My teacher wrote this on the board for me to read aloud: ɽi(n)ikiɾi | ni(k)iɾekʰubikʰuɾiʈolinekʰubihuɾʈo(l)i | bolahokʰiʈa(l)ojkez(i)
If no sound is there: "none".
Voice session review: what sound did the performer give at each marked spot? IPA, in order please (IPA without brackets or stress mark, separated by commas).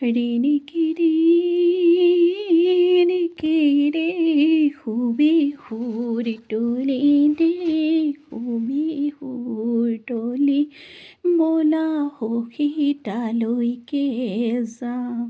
n, k, l, l, a